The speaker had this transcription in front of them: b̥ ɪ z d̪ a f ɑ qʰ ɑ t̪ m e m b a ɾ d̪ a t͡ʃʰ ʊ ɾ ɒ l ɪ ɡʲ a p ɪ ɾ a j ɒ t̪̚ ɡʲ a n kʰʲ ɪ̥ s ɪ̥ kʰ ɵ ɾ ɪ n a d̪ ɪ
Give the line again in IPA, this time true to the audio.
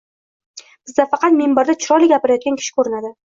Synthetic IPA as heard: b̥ ɪ z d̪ a f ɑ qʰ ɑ t̪ m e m b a ɾ d̪ a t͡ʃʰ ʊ ɾ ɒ l ɪ ɡʲ a p ɪ ɾ a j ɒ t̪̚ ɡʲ a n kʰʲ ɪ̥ ʃ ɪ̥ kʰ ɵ ɾ ɪ n a d̪ ɪ